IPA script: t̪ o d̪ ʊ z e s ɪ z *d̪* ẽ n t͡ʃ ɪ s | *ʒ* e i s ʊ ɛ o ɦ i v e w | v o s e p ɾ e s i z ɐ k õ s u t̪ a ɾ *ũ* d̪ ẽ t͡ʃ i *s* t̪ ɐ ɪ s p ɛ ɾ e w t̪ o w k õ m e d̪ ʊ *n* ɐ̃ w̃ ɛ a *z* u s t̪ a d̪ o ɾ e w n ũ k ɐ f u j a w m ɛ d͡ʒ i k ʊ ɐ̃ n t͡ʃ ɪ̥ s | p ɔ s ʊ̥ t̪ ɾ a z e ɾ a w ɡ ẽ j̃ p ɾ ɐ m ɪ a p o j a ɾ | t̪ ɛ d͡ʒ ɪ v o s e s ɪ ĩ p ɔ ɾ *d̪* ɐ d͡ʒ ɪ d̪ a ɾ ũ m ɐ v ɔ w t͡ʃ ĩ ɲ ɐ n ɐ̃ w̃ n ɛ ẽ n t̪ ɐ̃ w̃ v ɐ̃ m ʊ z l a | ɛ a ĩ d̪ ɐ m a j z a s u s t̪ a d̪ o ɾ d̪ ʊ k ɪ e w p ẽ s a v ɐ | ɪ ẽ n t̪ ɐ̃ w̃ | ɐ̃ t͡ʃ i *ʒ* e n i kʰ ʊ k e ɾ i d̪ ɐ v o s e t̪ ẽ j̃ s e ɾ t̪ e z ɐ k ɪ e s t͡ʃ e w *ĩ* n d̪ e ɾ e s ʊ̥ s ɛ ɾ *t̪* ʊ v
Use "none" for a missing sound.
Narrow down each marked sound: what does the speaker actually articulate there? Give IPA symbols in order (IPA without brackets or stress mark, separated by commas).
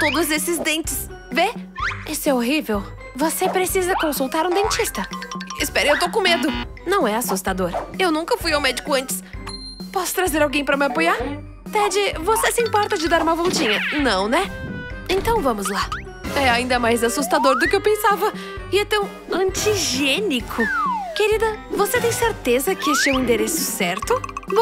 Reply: d̪, v, ũ, s, n, s, t̪, ʒ, ĩ, t̪